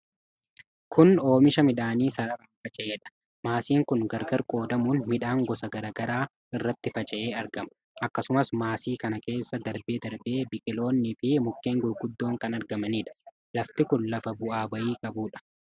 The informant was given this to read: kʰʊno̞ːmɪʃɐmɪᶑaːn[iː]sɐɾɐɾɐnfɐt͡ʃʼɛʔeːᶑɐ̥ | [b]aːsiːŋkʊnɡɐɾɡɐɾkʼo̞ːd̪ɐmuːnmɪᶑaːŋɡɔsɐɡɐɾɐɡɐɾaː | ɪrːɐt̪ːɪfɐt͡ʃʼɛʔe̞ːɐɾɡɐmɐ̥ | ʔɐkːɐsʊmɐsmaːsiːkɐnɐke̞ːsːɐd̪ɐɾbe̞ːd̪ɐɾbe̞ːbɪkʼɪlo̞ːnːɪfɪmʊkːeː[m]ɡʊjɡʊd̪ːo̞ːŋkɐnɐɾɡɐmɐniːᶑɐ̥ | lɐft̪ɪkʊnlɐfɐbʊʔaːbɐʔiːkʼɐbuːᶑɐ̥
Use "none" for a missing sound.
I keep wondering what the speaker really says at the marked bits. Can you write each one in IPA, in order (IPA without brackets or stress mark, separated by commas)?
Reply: iː, m, ŋ